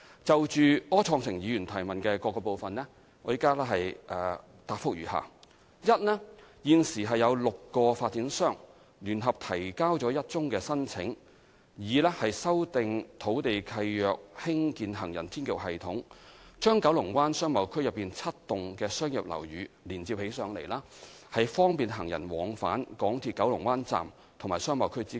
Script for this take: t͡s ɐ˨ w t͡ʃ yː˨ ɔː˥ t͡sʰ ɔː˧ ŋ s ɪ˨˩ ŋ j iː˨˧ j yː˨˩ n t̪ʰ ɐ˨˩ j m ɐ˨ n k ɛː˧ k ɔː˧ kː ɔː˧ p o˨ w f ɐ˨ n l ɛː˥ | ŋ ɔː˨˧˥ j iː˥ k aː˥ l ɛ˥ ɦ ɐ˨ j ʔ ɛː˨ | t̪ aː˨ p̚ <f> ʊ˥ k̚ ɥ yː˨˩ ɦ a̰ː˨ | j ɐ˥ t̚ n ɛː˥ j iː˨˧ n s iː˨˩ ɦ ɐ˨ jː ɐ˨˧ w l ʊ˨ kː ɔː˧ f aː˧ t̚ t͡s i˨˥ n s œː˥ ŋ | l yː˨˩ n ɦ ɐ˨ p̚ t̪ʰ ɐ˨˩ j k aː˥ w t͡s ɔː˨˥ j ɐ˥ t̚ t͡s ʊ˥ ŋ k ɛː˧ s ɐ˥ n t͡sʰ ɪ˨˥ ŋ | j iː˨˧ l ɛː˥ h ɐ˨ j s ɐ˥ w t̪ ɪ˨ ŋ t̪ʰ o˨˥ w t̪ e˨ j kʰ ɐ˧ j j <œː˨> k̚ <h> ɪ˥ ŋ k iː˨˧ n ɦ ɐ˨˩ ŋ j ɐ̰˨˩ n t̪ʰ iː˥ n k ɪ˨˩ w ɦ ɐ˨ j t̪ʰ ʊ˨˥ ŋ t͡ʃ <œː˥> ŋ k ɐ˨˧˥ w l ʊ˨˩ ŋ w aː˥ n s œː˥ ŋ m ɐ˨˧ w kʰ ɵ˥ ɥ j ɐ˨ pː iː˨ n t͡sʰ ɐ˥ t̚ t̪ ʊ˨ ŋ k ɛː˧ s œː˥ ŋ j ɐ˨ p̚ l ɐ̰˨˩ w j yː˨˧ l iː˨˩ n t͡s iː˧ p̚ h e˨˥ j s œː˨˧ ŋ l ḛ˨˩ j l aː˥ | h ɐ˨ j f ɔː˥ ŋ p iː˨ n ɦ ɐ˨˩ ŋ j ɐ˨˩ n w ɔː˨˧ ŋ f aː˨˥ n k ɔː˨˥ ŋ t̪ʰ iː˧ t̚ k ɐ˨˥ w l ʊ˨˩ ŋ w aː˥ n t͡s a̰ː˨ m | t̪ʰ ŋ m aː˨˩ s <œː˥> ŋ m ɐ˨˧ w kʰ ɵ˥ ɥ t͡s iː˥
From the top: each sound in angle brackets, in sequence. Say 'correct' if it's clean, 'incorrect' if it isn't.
correct, correct, correct, correct, correct

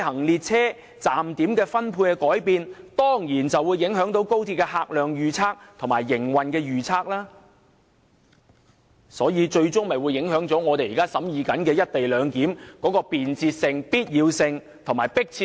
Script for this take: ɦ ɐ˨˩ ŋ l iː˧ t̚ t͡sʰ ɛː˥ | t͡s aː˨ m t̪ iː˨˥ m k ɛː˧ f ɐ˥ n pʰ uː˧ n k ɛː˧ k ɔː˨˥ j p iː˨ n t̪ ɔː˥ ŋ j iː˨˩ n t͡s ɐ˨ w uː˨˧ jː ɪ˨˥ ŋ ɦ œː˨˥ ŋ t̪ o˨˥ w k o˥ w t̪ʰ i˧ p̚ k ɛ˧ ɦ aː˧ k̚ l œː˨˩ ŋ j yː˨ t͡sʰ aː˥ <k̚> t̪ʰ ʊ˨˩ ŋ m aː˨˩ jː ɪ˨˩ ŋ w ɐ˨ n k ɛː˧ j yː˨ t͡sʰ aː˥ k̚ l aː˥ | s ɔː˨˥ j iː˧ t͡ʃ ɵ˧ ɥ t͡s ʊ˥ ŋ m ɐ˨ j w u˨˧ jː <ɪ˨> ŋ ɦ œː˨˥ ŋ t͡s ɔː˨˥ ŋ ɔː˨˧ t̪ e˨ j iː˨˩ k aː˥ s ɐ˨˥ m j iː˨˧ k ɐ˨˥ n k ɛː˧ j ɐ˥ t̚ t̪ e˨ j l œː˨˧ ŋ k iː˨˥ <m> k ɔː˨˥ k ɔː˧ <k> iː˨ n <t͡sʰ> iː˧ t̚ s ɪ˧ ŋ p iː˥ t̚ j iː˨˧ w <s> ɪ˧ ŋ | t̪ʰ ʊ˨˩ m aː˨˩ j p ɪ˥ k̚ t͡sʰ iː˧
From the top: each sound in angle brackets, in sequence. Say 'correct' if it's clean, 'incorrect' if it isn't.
correct, incorrect: ɪ˨˥, correct, incorrect: p, incorrect: t͡s, correct

